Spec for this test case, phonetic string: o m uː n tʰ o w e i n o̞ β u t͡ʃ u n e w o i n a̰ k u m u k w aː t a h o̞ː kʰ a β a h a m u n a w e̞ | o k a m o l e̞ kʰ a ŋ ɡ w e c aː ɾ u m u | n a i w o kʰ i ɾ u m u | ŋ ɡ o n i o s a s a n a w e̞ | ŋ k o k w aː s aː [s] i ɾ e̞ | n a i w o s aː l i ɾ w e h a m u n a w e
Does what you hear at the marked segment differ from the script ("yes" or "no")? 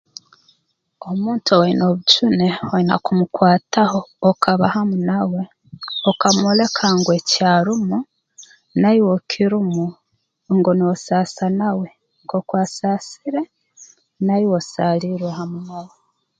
no